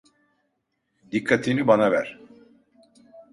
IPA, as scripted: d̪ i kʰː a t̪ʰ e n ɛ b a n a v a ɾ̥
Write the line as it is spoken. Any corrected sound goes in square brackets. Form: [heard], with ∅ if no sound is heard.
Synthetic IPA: d̪ i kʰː a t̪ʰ [i] n [i] b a n a v [æ] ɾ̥